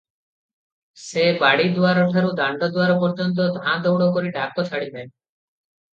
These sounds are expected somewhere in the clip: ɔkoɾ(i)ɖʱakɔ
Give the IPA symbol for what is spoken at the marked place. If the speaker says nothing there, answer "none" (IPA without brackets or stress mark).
i